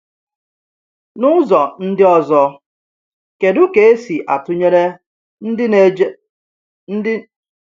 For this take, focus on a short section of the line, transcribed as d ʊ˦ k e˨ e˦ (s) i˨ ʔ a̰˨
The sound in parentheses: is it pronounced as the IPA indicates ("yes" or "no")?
yes